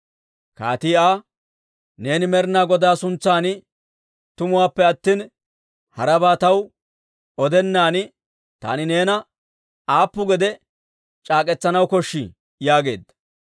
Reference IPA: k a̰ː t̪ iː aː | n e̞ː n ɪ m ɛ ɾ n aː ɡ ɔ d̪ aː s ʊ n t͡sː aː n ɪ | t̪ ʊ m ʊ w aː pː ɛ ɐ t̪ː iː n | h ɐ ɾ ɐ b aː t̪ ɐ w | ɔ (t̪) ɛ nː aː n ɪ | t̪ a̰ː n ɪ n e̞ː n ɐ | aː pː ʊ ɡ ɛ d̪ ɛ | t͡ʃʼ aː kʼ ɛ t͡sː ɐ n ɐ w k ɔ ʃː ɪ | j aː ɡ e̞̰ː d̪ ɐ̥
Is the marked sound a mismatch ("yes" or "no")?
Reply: yes